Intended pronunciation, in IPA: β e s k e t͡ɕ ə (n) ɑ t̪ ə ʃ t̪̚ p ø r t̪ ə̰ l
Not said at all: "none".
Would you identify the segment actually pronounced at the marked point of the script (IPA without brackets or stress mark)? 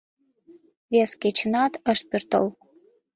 n